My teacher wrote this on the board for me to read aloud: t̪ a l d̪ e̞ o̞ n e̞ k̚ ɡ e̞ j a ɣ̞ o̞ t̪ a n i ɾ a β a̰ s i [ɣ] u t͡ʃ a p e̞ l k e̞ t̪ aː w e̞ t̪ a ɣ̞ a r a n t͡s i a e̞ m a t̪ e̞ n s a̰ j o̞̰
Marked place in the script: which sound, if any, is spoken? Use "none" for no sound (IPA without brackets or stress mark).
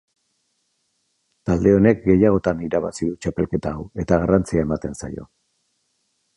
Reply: ð